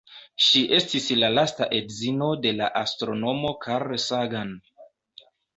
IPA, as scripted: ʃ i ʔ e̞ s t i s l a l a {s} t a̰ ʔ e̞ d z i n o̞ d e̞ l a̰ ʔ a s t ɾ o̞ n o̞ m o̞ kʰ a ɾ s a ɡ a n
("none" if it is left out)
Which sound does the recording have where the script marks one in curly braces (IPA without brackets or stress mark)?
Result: s